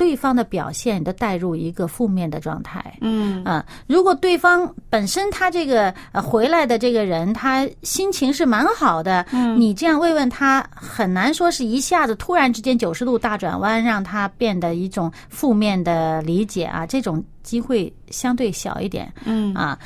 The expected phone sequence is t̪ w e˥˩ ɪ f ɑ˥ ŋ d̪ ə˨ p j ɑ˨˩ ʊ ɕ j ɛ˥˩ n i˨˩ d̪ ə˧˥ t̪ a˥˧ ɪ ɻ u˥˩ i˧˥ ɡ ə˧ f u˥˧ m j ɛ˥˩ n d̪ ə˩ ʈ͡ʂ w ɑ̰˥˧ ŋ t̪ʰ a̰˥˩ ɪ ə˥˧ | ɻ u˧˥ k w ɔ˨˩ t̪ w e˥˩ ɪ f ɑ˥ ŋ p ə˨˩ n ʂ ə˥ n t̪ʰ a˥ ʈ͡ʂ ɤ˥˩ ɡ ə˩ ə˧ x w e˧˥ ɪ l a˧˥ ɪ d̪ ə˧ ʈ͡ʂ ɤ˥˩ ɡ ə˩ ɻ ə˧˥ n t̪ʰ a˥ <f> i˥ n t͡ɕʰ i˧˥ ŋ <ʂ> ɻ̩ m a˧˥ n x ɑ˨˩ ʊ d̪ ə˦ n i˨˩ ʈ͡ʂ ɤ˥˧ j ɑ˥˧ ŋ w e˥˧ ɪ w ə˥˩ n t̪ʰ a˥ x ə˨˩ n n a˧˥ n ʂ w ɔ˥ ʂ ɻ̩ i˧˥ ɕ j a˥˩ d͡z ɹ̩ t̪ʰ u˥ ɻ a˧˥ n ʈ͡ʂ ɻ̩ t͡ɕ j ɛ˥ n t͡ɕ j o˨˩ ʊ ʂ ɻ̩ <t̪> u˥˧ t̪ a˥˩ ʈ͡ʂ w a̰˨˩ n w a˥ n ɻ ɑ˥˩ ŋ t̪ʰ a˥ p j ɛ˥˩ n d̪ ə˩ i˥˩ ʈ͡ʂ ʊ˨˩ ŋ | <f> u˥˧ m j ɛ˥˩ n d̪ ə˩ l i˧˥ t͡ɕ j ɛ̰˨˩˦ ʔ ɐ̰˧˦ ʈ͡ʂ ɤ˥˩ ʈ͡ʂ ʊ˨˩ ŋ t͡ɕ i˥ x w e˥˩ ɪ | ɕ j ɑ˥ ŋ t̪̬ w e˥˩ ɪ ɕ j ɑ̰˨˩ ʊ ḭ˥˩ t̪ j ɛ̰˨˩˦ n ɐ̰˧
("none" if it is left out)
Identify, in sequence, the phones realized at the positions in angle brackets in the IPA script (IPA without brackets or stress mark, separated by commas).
ɕ, ʂ, t̪, f